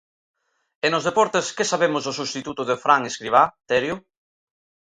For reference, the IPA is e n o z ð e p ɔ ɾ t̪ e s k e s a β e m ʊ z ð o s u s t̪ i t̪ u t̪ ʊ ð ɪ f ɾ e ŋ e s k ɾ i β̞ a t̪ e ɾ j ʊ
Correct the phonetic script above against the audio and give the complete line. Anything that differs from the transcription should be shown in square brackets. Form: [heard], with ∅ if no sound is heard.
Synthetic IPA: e n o z ð e p ɔ ɾ t̪ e s k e s a β e m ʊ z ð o s u s t̪ i t̪ u t̪ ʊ ð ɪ f ɾ [a] ŋ e s k ɾ i β̞ a t̪ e ɾ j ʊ